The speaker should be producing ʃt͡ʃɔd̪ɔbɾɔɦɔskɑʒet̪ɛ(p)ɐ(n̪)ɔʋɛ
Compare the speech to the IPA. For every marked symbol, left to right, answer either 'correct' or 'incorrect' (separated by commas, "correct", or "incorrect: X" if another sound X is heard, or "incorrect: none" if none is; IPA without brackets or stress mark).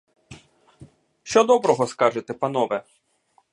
correct, correct